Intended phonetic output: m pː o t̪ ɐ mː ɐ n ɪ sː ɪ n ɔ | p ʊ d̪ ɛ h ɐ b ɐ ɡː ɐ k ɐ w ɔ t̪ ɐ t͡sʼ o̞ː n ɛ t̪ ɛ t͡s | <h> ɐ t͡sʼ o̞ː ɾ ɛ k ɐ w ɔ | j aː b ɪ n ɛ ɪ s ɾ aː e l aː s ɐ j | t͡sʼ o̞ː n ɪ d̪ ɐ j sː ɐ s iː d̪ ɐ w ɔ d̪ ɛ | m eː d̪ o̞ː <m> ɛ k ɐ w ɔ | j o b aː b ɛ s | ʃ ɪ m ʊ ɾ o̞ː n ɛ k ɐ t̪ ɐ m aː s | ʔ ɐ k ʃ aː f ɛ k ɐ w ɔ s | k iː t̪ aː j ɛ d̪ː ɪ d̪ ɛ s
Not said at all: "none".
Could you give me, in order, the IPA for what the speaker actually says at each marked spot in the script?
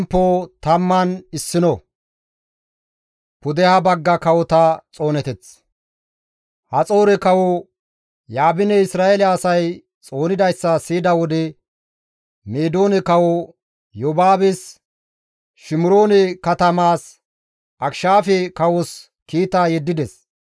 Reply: h, n

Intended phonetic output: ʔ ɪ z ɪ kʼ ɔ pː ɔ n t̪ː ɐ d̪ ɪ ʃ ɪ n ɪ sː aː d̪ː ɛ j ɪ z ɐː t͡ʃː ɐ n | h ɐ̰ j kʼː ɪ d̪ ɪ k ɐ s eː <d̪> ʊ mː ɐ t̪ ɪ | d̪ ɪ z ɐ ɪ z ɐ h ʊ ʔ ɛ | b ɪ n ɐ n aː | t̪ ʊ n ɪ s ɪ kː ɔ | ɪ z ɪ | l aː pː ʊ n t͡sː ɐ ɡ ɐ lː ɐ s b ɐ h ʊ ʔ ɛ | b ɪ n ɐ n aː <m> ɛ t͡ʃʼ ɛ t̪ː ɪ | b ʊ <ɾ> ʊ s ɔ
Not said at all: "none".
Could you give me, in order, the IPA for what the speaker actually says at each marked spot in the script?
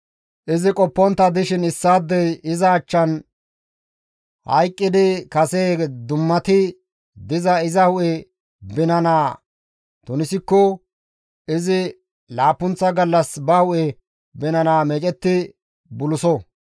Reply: d̪, m, l

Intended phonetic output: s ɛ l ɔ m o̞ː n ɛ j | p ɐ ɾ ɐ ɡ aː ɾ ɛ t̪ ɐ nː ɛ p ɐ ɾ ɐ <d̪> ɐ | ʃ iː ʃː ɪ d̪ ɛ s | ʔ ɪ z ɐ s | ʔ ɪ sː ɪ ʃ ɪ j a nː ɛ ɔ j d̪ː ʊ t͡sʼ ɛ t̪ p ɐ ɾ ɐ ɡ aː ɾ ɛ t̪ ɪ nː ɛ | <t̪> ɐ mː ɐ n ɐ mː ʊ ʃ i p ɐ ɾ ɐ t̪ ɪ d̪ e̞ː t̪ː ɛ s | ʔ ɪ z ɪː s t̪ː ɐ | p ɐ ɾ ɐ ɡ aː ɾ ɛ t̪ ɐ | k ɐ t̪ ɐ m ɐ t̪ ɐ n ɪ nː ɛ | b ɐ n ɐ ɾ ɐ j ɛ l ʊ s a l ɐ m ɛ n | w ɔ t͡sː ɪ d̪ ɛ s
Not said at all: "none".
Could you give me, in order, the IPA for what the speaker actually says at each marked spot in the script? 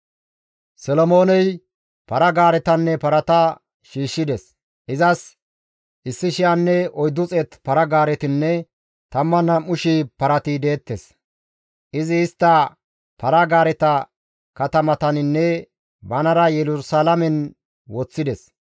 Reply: t̪, t̪

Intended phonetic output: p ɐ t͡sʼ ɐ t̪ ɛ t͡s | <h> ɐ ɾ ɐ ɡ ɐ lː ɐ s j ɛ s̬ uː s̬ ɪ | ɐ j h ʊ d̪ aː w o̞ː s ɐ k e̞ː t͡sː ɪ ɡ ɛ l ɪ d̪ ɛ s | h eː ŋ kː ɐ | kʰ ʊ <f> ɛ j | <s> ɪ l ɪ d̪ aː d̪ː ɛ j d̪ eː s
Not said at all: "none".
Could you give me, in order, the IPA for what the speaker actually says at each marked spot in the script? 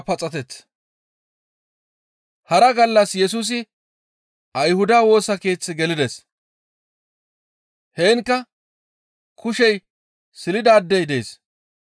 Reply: h, ʃ, s

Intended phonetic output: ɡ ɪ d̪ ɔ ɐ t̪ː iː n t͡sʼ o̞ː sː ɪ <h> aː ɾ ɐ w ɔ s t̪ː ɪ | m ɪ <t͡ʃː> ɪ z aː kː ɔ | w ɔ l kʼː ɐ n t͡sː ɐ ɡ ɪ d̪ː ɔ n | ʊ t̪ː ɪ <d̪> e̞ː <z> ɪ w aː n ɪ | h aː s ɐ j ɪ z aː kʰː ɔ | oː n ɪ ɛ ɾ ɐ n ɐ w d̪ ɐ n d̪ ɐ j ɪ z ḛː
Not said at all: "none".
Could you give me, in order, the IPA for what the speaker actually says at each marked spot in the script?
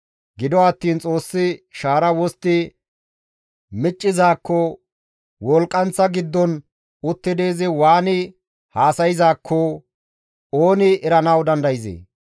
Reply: ʃ, t͡ʃʼː, d̪, z

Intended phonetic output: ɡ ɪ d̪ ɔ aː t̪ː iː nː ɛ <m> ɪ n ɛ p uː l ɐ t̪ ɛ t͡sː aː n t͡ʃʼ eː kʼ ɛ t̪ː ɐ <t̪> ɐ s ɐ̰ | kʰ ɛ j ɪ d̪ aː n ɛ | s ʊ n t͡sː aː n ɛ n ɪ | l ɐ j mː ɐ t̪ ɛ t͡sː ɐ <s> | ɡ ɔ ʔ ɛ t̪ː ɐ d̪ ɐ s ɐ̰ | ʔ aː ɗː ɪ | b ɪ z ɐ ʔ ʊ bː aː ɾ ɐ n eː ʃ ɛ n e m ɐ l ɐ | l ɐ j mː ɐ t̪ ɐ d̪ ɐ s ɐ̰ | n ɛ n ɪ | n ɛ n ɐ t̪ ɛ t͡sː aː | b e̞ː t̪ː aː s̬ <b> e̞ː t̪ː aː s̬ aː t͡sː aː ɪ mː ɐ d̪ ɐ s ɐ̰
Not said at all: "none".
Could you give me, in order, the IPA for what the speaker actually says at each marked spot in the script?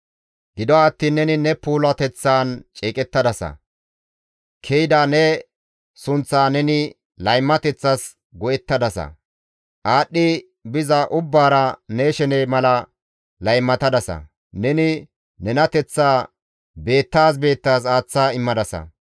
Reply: n, d̪, s, b

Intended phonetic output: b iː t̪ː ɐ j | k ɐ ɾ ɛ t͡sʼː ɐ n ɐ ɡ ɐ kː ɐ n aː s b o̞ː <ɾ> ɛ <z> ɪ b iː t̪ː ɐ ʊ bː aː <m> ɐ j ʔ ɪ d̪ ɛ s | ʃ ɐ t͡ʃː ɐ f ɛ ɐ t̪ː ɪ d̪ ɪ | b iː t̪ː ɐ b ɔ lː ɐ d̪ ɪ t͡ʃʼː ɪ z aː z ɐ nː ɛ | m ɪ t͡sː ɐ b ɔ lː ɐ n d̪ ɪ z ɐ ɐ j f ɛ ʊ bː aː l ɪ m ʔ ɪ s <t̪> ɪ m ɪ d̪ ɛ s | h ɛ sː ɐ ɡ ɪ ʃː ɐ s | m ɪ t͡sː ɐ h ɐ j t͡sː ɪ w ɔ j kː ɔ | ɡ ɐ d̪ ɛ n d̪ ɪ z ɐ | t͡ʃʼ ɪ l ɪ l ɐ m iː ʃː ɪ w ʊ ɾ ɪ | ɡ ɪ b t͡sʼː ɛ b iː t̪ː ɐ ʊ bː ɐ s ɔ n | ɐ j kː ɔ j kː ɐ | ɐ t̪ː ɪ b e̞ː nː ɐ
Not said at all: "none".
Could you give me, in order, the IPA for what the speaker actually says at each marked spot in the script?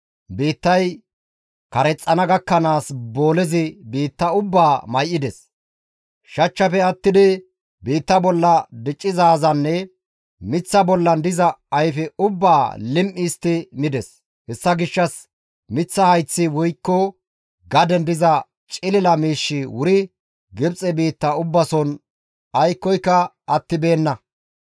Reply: l, z, m, t̪

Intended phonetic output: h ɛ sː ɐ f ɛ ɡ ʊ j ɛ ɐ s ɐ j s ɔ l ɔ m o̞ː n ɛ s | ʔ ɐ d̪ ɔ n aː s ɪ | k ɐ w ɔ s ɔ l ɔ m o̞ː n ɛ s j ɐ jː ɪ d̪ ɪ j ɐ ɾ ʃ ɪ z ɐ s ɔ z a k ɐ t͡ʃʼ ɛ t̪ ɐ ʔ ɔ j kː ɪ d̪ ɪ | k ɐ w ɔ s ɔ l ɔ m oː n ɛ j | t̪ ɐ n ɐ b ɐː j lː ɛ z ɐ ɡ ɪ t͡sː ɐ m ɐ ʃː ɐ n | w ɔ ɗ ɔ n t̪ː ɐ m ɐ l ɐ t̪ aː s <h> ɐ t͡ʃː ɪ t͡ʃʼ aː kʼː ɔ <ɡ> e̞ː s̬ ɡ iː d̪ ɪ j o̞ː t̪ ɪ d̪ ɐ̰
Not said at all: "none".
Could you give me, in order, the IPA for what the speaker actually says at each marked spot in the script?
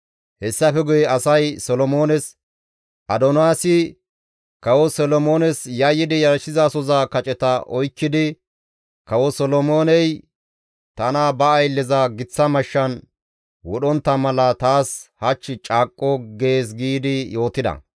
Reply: h, ɡ

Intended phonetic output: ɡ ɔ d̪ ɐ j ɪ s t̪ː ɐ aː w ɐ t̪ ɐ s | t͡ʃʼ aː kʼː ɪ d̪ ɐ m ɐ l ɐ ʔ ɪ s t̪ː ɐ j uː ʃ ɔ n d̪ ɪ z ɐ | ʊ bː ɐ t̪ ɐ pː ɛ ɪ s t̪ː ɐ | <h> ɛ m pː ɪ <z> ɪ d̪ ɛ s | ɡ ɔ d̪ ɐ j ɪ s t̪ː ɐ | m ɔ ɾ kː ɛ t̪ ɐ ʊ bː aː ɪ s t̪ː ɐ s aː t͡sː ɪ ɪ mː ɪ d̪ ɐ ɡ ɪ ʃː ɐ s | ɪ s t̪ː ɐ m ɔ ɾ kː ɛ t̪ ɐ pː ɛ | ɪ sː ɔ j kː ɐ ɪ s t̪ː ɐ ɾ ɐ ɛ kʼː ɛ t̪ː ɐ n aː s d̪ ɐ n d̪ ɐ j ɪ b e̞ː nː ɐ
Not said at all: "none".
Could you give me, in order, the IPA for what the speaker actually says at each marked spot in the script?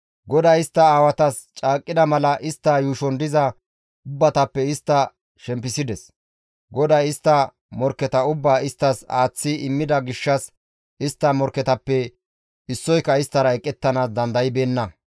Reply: ʃ, s

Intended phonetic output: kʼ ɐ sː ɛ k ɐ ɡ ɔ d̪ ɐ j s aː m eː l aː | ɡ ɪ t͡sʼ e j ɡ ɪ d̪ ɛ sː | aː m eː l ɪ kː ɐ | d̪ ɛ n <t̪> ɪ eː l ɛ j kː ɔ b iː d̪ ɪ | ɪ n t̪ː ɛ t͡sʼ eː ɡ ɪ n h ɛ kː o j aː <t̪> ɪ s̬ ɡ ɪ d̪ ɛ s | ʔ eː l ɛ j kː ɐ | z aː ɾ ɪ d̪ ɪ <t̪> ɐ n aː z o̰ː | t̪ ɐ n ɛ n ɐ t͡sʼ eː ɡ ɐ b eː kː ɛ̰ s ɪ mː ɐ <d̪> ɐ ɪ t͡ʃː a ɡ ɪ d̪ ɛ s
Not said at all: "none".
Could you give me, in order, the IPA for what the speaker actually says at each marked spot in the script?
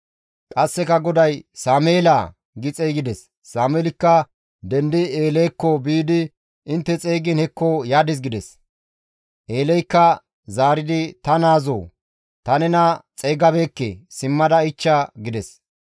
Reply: d̪, d̪, t̪, d̪

